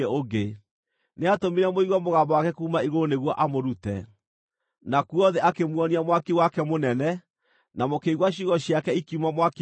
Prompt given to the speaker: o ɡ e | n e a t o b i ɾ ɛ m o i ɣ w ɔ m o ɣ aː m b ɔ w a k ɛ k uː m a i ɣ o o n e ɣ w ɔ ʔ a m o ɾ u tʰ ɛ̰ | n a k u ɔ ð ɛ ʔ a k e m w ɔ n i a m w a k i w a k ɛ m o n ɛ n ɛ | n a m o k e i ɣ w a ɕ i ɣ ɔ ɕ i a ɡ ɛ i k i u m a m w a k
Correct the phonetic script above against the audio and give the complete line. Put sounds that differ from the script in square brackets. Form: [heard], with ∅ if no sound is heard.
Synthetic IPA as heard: o ɡ e | n e a t o [m] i ɾ ɛ m o i ɣ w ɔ m o ɣ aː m b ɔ w a k ɛ k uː m a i ɣ o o n e ɣ w ɔ ʔ a m o ɾ u [t] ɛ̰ | n a k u ɔ ð ɛ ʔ a k e m w ɔ n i a m w a k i w a k ɛ m o n ɛ n ɛ | n a m o k e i ɣ w a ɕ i ɣ ɔ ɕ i a [k] ɛ i k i u m a m w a k